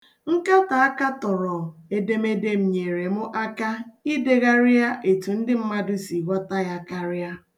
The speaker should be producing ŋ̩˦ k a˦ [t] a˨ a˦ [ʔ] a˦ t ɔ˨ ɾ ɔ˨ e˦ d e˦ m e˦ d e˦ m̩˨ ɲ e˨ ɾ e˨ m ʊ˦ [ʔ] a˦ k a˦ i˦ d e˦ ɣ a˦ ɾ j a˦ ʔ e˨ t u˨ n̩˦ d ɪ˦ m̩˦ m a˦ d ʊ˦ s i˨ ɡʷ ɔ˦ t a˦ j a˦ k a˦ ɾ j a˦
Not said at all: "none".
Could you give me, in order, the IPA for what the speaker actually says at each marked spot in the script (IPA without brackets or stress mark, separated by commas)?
t, k, ʔ